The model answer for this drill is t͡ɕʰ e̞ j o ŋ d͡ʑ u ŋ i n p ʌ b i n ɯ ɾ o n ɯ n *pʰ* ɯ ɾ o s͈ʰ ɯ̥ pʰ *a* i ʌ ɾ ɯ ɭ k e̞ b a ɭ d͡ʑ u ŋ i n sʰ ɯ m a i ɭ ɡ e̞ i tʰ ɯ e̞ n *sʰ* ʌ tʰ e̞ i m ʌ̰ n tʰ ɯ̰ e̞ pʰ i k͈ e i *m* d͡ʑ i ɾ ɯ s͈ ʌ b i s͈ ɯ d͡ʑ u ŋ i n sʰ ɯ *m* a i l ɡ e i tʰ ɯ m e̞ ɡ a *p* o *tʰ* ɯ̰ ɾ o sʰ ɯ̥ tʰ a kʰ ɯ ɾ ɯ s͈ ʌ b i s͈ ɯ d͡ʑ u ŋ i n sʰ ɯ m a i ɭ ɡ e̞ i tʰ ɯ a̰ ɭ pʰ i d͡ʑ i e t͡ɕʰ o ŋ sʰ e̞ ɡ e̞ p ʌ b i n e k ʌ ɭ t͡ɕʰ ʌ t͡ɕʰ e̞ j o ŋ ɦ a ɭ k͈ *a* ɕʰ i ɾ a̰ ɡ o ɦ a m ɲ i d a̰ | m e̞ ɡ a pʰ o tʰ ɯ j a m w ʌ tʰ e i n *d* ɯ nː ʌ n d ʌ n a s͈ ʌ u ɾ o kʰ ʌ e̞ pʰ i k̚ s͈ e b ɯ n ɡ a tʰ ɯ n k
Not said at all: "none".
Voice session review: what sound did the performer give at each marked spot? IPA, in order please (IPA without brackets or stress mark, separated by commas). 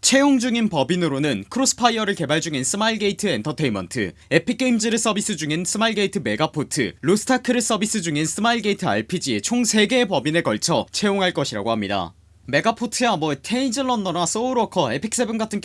kʰ, a, tʰ, m, m, pʰ, tʰ, ʌ, d͡ʑ